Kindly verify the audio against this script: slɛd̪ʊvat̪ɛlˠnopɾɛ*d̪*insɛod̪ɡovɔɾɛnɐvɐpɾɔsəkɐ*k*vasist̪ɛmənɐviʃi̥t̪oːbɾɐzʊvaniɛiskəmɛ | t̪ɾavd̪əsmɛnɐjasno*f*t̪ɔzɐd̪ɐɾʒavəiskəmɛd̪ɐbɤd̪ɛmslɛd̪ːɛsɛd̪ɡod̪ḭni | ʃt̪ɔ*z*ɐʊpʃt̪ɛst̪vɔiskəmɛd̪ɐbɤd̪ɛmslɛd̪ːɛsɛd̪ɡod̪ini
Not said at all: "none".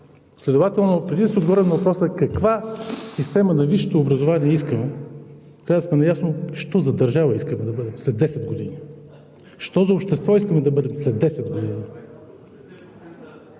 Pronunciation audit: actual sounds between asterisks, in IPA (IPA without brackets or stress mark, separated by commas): d̪, k, ʃ, z